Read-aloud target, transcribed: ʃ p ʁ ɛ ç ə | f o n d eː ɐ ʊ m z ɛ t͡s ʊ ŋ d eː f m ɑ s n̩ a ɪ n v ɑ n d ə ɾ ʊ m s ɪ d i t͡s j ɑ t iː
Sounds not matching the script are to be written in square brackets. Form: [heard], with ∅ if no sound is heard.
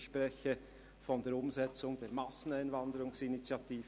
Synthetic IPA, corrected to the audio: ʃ p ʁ ɛ ç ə | f [ɔ] n d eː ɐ ʊ m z ɛ t͡s ʊ ŋ d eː [∅] m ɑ s n̩ a ɪ n v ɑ n d ə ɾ ʊ [ŋ] s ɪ [n] i t͡s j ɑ t iː

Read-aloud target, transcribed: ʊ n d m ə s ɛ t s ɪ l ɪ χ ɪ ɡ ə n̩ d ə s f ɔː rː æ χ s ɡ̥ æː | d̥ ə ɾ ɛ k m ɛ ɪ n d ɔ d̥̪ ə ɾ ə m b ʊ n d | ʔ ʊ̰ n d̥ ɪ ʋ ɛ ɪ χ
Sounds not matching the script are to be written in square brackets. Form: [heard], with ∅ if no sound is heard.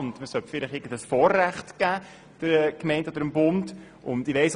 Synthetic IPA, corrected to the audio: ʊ n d m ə s [œ] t [f] ɪ l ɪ χ ɪ ɡ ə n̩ d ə s f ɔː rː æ χ [t] ɡ̥ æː | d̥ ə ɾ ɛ k m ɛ ɪ n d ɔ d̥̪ ə ɾ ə m b ʊ n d | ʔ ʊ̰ n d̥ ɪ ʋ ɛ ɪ [s]

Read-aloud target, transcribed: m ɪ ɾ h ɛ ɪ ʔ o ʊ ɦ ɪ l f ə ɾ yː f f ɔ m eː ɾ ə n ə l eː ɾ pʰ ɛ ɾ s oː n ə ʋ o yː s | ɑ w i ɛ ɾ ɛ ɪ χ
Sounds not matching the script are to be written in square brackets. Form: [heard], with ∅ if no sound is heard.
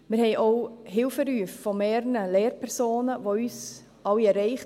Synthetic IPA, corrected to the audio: m ɪ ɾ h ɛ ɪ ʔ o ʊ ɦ ɪ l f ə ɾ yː f f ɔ m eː ɾ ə n ə l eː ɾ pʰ ɛ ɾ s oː n ə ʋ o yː s | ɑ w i ɛ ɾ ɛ ɪ χ

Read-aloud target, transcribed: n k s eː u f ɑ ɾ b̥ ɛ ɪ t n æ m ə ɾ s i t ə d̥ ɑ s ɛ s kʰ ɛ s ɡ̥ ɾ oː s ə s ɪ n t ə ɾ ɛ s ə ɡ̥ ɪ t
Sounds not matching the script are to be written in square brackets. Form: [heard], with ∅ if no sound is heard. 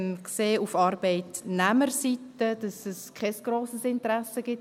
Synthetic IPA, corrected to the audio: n k s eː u f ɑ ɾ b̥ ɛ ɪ t n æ m ə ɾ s i t ə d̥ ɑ s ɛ s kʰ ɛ s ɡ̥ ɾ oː s ə s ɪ n t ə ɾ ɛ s ə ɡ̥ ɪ t

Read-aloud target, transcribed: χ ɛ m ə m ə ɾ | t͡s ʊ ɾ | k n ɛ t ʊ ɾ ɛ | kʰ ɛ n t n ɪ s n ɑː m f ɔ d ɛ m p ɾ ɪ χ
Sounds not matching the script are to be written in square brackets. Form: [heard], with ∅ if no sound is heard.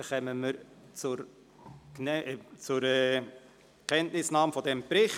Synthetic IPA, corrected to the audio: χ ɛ m ə m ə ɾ | t͡s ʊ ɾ | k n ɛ [t͡s] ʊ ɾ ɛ | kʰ ɛ n t n ɪ s n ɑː m f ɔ d ɛ m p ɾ ɪ χ

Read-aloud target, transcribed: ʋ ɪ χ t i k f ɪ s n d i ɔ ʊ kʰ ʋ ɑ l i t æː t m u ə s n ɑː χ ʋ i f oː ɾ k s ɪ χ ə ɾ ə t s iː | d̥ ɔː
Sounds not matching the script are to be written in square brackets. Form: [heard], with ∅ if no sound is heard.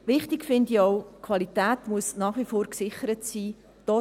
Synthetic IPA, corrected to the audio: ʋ ɪ χ t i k f ɪ [∅] n d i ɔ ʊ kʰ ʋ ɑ l i t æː t m u ə s n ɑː χ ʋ i f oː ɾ k s ɪ χ ə ɾ ə t s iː | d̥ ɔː

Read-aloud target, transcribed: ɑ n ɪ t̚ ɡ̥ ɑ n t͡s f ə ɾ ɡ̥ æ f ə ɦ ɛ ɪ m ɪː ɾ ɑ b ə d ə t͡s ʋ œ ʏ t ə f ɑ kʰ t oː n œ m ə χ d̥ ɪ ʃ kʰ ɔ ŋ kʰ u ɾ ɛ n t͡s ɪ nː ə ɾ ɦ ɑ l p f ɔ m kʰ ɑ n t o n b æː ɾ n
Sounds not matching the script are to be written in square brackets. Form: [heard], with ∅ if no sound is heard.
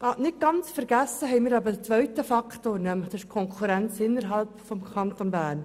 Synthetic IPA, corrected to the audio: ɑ n ɪ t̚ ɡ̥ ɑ n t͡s f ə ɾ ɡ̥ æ [s] ə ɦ ɛ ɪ m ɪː ɾ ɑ b ə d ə t͡s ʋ œ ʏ t ə f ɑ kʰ t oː n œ m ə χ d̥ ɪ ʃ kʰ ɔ ŋ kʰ u ɾ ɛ n t͡s ɪ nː ə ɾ ɦ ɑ l p f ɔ m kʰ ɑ n t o n b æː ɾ n

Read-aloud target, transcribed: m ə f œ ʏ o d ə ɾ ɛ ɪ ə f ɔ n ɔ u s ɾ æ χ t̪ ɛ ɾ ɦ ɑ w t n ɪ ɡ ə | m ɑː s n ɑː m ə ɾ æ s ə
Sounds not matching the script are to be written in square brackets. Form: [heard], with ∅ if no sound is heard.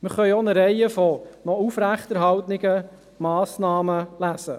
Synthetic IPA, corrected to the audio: m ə [χ] œ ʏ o [n] ə ɾ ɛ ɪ ə f ɔ n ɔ u [f] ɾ æ χ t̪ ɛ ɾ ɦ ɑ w t n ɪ ɡ ə | m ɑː s n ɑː m ə [l] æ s ə

